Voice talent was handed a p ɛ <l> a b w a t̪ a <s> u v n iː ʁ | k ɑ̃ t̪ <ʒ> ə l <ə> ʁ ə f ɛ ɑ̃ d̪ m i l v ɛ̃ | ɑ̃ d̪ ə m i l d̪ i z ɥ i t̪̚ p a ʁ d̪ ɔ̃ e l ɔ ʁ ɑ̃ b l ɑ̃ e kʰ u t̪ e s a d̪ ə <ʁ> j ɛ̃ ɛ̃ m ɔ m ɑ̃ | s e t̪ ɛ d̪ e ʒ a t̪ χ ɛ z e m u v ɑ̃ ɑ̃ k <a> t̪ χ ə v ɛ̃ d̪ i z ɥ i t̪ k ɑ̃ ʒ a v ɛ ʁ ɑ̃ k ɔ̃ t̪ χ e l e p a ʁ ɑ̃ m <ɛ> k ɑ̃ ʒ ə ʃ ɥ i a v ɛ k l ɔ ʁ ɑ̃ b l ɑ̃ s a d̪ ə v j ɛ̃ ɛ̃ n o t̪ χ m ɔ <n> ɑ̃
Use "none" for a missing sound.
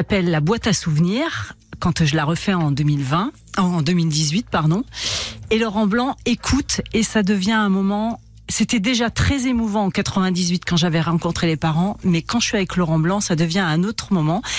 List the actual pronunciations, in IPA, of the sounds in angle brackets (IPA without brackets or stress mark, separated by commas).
lː, s, ʒ, a, v, a, ɛ, m